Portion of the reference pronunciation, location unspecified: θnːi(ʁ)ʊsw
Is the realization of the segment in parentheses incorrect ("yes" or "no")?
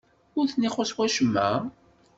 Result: yes